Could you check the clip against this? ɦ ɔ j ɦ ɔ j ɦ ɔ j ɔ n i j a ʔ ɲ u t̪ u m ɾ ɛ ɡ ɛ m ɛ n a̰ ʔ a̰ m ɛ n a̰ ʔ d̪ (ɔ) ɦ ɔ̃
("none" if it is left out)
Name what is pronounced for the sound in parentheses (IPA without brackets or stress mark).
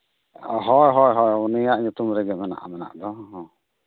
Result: ɔ